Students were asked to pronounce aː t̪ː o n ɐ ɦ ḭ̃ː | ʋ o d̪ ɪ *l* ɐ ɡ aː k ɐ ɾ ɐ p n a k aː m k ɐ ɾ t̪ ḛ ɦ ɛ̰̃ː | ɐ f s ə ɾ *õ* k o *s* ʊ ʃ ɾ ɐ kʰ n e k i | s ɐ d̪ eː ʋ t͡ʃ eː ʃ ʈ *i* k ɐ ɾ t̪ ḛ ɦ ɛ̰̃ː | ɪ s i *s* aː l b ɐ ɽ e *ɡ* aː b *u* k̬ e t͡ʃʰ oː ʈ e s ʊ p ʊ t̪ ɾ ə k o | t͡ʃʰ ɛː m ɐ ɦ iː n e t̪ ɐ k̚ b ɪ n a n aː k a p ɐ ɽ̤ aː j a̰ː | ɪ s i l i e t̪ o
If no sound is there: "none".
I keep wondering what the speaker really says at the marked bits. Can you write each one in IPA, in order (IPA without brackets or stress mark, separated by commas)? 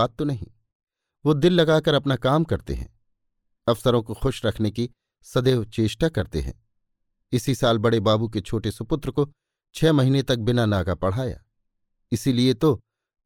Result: lː, õ, x, a, s, b, u